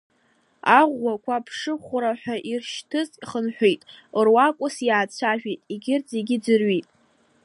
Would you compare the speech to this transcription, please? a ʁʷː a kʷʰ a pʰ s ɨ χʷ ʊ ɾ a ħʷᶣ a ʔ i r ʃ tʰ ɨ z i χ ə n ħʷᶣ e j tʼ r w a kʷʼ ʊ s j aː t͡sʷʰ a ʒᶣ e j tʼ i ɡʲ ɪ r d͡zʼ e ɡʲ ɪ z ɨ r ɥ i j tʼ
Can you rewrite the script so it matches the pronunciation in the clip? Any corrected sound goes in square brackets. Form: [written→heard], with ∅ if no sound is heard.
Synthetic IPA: a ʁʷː a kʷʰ a pʰ [s→ʂ] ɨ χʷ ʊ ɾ a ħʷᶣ a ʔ i r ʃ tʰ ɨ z i χ ə n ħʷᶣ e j tʼ r w a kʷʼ ʊ s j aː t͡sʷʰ a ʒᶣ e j tʼ i ɡʲ ɪ r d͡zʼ e ɡʲ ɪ [z→d͡z] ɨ r ɥ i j tʼ